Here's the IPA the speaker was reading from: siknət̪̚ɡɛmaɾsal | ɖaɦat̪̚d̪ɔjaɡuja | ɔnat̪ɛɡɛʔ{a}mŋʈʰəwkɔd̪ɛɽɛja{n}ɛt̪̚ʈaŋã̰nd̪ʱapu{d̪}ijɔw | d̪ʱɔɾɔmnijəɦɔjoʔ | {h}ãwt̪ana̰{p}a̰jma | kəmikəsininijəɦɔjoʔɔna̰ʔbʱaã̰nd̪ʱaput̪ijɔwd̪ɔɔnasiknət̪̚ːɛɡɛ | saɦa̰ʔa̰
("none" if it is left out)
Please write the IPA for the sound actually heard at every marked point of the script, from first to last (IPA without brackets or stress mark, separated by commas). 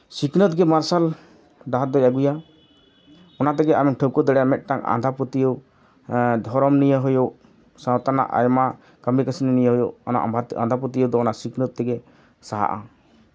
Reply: a, m, t̪, s, ʔ